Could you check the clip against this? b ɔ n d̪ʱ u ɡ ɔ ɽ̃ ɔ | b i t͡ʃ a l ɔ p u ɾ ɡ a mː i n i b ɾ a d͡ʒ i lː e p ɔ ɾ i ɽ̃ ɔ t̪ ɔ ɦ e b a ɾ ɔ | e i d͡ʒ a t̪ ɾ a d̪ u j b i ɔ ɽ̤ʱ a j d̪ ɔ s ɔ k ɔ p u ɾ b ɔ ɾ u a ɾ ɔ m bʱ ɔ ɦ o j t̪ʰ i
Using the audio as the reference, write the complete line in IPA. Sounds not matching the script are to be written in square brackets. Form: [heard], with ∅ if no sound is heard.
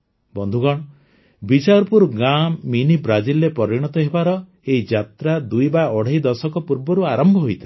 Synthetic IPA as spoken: b ɔ n d̪ʱ u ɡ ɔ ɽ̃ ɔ | b i t͡ʃ a [ɾ] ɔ p u ɾ ɡ a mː i n i b ɾ a d͡ʒ i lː e p ɔ ɾ i ɽ̃ ɔ t̪ ɔ ɦ e b a ɾ ɔ | e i d͡ʒ a t̪ ɾ a d̪ u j b [a] ɔ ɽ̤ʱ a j d̪ ɔ s ɔ k ɔ p u ɾ b ɔ ɾ u a ɾ ɔ m bʱ ɔ ɦ o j t̪ʰ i